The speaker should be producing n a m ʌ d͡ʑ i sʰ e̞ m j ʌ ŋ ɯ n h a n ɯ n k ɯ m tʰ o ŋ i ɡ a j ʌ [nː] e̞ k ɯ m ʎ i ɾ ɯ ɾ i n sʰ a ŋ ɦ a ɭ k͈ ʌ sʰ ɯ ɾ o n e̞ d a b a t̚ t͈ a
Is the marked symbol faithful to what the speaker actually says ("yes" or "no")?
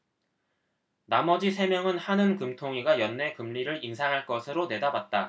yes